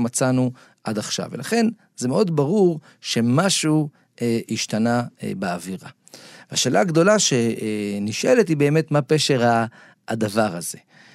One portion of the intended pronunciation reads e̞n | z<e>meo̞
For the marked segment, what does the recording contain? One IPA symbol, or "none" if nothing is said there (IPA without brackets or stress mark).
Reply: e